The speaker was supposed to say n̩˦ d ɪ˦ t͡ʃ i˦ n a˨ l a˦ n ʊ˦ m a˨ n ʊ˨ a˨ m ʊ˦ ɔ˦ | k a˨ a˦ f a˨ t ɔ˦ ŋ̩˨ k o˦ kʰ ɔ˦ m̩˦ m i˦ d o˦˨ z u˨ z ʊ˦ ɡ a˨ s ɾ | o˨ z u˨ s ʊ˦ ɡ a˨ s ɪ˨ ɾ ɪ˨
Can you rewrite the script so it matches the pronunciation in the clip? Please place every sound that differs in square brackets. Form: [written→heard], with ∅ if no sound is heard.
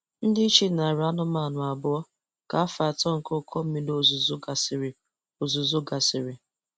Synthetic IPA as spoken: n̩˦ d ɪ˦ t͡ʃ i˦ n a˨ [l→ɾ] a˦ n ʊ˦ m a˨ n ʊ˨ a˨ [m→b] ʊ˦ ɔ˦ | k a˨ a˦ f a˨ t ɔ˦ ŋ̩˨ k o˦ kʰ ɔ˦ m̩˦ m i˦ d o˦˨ z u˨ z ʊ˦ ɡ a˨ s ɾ | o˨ z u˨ [s→z] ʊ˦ ɡ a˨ s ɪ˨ ɾ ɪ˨